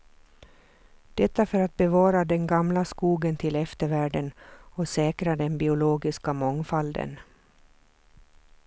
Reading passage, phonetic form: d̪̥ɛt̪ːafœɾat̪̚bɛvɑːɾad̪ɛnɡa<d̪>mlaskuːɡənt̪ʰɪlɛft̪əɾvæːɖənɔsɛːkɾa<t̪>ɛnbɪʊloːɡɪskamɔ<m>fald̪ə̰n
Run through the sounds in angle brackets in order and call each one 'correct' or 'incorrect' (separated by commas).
incorrect, incorrect, incorrect